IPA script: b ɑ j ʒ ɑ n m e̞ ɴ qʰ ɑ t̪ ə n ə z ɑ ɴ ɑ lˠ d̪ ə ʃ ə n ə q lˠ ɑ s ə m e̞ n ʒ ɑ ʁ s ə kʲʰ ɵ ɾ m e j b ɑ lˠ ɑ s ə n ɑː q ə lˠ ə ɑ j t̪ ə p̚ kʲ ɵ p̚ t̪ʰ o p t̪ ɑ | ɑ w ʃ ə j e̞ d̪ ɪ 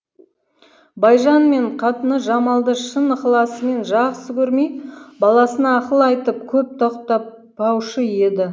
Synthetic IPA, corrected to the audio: b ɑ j ʒ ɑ n m e̞ ɴ qʰ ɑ t̪ ə n ə ʒ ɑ m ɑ lˠ d̪ ə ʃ ə n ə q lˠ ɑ s ə m e̞ n ʒ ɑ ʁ s ə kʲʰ ɵ ɾ m e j b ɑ lˠ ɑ s ə n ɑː q ə lˠ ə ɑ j t̪ ə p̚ kʲʰ ɵ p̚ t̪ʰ o q t̪ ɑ | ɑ w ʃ ə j e̞ d̪ ɪ